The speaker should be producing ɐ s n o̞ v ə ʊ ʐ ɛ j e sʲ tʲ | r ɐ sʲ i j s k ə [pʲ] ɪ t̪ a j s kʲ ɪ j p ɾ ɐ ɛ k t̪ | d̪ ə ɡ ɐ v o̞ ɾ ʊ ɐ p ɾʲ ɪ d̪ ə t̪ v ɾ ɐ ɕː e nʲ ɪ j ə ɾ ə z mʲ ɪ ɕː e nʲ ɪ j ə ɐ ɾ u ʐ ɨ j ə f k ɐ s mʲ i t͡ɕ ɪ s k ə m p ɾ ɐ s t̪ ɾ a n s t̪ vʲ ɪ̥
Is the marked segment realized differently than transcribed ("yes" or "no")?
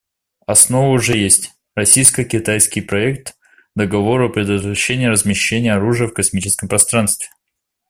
yes